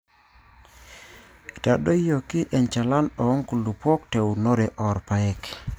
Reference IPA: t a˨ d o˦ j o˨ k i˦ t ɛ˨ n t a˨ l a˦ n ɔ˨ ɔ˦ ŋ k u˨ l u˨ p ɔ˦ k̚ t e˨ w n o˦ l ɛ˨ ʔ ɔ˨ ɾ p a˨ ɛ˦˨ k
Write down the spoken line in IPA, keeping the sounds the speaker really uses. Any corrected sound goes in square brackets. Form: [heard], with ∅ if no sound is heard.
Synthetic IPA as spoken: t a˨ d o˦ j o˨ k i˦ [ʔ] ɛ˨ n [t͡ʃ] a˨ l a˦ n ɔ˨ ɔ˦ ŋ k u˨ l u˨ p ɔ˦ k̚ t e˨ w n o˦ [ɾ] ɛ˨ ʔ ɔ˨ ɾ p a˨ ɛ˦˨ k